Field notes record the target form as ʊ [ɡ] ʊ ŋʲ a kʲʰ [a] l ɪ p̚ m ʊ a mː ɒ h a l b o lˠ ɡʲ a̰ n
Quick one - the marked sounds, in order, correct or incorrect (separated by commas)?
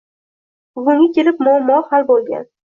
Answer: correct, incorrect